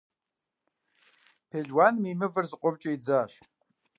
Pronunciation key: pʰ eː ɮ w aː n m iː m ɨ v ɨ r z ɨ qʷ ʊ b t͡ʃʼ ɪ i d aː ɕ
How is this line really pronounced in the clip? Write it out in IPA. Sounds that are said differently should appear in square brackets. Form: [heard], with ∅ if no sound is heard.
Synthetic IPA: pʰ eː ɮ w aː n m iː m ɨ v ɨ r z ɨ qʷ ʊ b t͡ʃʼ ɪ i [d͡z] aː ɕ